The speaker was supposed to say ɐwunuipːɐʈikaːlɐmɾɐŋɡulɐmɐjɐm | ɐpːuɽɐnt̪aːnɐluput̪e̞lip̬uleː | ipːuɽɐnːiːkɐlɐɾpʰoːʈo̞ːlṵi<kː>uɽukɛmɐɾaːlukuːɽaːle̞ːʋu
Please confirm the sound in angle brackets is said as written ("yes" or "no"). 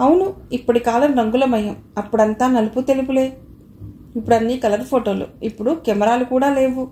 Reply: no